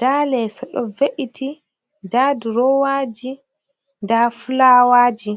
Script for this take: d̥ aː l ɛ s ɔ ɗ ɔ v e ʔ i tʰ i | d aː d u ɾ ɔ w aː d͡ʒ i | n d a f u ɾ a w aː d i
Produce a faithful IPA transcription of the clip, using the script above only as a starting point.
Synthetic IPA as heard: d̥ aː l ɛ s ɔ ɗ ɔ v e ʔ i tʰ i | d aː d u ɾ ɔ w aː d͡ʒ i | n d a f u l a w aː d͡ʒ i